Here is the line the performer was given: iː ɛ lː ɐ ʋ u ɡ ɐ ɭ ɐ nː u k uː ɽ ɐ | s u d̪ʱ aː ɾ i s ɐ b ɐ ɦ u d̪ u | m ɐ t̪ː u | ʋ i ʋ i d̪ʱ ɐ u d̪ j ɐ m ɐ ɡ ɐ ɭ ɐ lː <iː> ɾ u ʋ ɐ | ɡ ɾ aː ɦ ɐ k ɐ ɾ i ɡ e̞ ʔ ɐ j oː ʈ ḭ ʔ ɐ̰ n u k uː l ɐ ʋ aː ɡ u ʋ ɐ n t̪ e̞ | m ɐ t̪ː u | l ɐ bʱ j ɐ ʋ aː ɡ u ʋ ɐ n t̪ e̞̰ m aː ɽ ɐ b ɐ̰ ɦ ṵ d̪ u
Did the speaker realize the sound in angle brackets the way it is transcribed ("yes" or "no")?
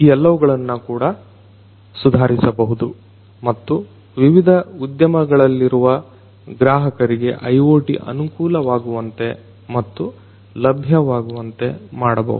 no